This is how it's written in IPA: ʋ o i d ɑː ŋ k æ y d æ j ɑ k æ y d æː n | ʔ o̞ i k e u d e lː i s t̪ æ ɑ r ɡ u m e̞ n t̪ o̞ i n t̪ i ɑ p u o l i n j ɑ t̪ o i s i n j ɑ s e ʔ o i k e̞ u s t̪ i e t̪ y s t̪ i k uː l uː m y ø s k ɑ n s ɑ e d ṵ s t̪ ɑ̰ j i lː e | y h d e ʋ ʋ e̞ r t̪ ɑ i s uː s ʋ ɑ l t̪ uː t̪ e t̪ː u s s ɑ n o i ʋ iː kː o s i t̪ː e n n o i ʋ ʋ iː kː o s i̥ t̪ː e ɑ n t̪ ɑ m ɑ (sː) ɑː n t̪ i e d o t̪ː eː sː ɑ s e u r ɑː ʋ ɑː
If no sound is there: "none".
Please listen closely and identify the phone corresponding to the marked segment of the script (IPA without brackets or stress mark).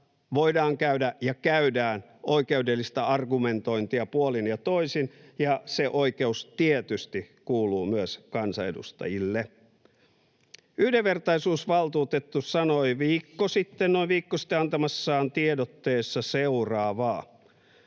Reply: sː